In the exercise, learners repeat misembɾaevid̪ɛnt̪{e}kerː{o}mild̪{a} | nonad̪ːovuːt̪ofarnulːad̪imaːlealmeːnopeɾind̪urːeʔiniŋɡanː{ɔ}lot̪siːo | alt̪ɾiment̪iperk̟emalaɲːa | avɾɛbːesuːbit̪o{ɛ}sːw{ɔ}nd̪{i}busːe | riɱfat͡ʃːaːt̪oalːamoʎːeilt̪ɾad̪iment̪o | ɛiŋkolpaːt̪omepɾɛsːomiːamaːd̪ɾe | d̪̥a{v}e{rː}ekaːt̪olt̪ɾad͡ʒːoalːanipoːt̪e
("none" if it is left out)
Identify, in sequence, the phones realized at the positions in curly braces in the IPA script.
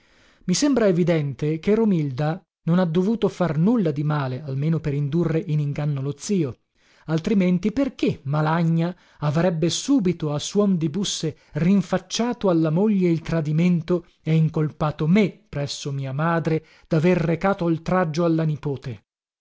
e, o, a, o, a, ɔ, i, v, rː

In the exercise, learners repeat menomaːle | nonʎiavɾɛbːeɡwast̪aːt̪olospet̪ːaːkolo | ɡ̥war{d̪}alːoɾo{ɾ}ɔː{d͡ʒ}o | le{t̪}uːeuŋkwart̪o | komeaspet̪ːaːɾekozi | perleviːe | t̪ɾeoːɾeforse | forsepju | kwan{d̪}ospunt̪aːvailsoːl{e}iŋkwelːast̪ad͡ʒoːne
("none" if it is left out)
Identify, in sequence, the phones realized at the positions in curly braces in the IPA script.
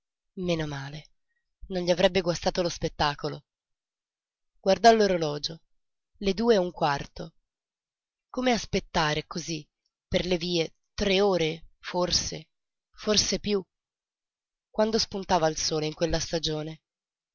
d̪, l, d͡ʒ, d̪, d̪, e

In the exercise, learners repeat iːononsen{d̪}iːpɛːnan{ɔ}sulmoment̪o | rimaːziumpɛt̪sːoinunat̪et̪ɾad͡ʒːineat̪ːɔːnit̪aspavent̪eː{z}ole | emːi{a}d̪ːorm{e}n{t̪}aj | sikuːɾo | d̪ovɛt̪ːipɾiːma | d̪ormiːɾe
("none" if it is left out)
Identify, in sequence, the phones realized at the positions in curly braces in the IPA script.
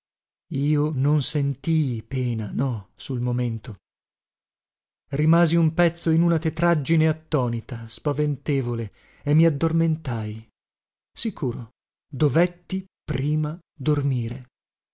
t̪, ɔ, v, a, e, t̪

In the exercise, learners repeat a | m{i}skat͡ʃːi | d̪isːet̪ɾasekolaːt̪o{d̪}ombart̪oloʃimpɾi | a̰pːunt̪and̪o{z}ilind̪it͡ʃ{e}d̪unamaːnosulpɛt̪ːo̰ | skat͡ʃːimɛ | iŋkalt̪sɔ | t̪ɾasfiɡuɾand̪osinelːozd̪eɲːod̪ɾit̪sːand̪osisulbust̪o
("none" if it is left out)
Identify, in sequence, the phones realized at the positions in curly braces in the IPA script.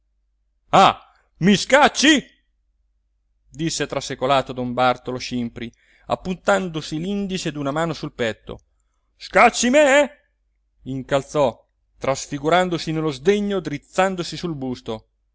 i, d̪, s, e

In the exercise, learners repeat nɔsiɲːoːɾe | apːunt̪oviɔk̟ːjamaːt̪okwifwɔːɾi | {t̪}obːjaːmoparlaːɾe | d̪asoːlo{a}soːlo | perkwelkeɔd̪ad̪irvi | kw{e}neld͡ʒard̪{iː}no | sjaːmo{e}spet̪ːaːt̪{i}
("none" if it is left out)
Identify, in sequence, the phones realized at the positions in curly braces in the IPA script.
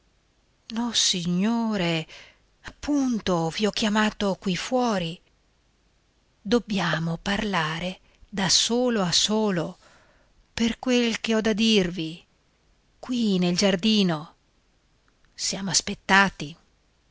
d̪, a, i, iː, a, i

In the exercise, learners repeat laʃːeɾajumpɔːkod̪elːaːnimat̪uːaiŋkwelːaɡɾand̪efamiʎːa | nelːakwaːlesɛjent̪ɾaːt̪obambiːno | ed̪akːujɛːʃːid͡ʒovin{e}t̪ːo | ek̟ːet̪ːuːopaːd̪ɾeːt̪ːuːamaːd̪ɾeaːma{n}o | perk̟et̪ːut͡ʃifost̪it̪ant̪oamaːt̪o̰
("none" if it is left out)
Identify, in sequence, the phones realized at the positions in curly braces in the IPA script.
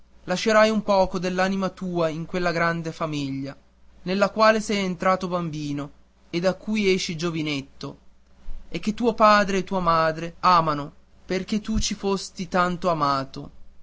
e, n

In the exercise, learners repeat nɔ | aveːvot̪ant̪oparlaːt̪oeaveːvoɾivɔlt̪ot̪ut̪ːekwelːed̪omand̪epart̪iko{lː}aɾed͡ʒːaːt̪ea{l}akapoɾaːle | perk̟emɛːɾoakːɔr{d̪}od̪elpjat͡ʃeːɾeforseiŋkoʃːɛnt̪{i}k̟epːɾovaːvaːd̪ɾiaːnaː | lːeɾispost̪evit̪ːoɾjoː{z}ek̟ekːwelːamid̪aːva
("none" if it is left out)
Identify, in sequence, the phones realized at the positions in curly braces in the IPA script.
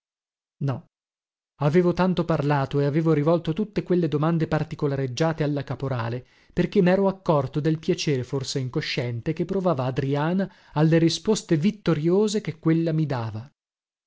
l, lː, t̪, e, z

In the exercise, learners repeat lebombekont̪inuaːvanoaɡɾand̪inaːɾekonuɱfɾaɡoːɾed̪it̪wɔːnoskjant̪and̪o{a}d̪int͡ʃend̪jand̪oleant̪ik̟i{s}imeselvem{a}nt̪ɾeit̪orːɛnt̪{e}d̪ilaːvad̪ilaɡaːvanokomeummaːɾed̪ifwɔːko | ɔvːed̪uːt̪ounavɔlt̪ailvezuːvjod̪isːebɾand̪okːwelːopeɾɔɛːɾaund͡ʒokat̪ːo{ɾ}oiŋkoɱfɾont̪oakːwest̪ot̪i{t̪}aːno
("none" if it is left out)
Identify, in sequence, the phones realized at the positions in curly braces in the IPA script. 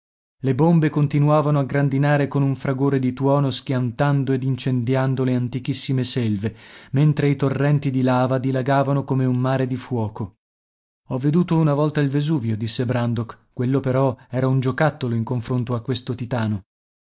e, sː, e, i, l, t̪

